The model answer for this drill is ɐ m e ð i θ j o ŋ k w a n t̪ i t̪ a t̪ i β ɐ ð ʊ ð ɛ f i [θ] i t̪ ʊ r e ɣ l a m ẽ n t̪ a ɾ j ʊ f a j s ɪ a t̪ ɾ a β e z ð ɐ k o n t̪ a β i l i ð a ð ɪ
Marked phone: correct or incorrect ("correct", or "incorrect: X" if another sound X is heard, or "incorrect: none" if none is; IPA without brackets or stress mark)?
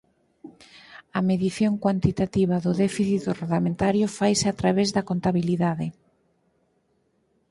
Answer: correct